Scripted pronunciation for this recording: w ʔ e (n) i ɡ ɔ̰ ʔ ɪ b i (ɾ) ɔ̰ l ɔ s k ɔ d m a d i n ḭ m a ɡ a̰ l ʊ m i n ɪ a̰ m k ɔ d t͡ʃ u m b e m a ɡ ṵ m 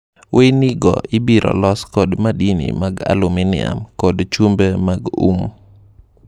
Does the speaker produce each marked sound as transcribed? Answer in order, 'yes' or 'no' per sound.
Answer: yes, yes

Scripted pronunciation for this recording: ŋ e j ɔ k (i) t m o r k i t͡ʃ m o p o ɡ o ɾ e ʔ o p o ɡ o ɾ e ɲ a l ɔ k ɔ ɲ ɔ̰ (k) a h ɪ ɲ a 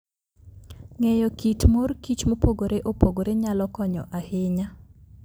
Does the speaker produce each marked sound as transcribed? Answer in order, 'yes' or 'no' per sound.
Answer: yes, no

